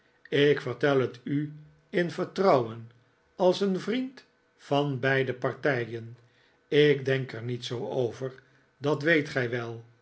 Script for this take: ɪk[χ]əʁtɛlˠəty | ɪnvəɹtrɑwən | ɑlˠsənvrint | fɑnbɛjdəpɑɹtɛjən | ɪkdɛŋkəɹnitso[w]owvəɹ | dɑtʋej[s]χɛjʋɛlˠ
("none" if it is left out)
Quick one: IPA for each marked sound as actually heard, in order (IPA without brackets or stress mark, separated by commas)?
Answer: f, w, t